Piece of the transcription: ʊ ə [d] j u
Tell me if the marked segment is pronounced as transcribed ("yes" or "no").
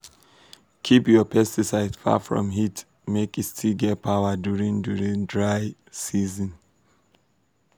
yes